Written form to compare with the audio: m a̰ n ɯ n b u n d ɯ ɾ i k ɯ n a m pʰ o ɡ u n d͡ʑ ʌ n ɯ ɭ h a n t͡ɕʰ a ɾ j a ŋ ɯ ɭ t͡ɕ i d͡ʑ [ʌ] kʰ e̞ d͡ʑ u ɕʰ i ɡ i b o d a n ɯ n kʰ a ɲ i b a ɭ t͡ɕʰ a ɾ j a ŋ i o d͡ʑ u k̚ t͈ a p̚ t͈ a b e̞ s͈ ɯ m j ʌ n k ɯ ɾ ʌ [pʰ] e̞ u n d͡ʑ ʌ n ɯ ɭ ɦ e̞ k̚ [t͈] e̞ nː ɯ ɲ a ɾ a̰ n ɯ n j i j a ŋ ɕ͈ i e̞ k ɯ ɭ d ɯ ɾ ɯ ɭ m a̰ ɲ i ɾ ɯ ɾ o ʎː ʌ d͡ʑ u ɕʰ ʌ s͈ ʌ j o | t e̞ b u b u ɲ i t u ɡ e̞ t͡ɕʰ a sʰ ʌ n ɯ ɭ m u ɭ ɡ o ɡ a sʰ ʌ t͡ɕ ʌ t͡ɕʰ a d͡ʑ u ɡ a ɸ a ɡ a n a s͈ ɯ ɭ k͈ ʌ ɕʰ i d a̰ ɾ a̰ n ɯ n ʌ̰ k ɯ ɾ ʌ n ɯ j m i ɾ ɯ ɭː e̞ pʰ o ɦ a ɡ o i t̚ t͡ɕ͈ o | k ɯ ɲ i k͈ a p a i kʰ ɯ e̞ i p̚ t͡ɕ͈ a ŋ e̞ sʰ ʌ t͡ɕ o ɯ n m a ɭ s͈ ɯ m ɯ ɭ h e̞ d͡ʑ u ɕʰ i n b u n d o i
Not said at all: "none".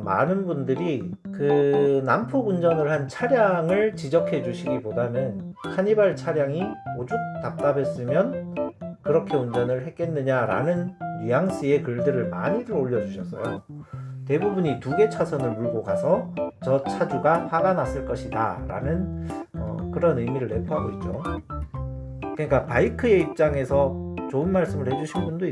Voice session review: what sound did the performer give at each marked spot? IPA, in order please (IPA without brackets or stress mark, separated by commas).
ʌ, kʰ, k͈